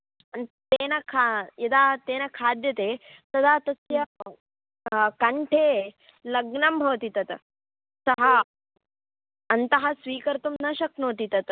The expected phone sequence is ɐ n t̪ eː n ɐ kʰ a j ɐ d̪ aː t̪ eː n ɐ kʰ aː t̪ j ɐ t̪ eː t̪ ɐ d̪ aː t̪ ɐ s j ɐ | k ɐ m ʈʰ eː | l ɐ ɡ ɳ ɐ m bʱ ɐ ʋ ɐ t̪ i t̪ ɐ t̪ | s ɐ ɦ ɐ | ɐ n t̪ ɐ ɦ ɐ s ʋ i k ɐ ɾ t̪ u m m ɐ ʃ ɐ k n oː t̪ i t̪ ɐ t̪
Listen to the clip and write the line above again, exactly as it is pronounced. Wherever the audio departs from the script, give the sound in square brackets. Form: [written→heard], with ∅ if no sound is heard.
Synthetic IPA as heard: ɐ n t̪ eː n ɐ kʰ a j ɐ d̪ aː t̪ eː n ɐ kʰ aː [t̪→d̪] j ɐ t̪ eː t̪ ɐ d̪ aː t̪ ɐ s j ɐ | k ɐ [m→ɳ] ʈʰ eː | l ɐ ɡ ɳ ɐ m bʱ ɐ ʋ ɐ t̪ i t̪ ɐ t̪ | s ɐ ɦ ɐ | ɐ n t̪ ɐ ɦ ɐ s ʋ [i→iː] k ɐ ɾ t̪ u m [m→n] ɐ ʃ ɐ k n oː t̪ i t̪ ɐ t̪